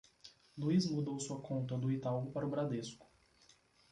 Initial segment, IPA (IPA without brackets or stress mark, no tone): l